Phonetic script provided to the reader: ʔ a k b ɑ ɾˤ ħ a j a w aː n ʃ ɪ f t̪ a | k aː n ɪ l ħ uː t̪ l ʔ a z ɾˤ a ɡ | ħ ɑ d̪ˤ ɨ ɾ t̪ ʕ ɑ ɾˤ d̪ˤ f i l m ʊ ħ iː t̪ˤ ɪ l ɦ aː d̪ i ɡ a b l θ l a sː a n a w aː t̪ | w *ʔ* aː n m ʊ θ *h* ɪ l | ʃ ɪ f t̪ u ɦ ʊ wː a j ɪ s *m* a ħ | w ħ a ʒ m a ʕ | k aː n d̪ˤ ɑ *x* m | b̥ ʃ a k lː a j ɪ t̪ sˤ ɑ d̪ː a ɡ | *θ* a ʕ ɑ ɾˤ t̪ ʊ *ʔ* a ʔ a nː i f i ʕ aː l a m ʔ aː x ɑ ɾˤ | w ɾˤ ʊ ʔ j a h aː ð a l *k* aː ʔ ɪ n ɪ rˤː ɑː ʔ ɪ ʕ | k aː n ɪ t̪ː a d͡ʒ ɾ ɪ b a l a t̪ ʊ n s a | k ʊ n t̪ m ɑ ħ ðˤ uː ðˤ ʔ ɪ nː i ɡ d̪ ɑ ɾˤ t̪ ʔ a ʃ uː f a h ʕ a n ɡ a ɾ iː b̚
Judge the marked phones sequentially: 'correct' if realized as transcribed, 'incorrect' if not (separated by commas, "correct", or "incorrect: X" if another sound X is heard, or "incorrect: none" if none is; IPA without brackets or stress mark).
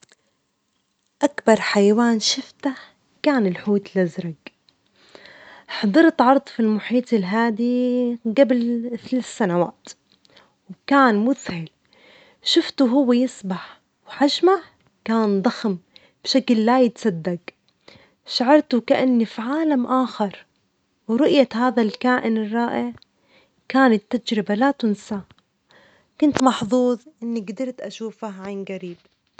incorrect: k, correct, incorrect: b, correct, incorrect: ʃ, incorrect: k, correct